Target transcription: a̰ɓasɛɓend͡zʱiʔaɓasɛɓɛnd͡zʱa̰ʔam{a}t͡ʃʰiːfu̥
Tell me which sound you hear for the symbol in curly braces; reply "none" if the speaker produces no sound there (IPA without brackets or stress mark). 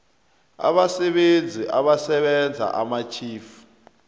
a